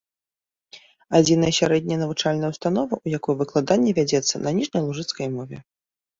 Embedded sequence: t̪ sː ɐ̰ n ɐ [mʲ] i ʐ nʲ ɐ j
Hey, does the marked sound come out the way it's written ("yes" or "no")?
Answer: no